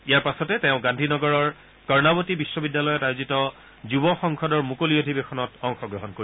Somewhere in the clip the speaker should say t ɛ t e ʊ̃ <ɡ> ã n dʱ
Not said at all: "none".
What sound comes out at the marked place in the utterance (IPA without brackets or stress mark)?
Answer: ɡ